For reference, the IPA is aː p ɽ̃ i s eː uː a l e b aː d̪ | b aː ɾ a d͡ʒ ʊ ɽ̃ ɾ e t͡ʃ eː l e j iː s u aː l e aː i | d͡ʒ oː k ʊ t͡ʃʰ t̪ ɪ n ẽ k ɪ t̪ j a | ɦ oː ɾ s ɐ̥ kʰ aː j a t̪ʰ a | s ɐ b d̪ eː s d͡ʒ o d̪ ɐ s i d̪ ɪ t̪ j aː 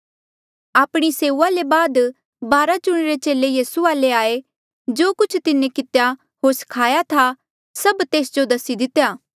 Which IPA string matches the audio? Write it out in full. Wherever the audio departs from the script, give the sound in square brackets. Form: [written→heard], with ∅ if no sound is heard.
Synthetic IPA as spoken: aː p ɽ̃ i s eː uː a l e b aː d̪ | b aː ɾ a d͡ʒ ʊ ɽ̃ ɾ e t͡ʃ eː l e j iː s u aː l e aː [i→e] | d͡ʒ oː k ʊ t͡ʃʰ t̪ ɪ n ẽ k ɪ t̪ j a | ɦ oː ɾ s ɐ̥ kʰ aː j a t̪ʰ a | s ɐ b [d̪→t̪] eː s d͡ʒ o d̪ ɐ s i d̪ ɪ t̪ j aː